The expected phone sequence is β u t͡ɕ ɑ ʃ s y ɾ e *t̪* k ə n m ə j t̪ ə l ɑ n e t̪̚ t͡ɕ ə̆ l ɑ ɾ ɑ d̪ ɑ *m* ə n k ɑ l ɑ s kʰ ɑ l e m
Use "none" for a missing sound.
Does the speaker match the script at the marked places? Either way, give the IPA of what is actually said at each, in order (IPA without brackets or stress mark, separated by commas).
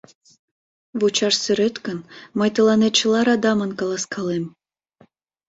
t̪, m